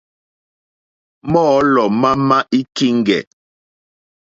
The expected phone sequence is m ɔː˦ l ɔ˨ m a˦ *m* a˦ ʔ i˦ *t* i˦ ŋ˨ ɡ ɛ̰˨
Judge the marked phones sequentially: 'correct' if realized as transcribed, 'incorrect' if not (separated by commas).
correct, incorrect